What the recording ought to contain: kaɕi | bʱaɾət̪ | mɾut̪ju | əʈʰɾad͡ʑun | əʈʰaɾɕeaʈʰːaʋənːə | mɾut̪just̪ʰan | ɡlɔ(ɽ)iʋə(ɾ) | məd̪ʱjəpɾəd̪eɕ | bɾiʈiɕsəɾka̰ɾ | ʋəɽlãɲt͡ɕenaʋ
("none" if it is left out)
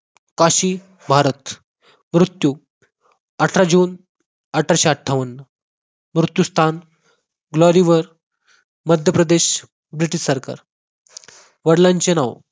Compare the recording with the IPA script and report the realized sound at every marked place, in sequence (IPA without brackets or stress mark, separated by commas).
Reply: ɾ, ɾ